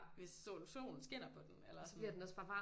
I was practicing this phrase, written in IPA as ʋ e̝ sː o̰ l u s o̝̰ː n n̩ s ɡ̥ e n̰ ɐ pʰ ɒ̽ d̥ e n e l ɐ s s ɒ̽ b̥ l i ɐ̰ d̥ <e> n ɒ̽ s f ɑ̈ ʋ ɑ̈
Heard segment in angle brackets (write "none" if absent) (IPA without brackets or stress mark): e